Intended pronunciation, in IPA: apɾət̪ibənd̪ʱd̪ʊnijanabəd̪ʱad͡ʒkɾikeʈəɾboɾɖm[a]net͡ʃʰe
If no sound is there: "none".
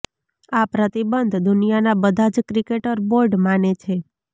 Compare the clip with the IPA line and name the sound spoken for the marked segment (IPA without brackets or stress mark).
a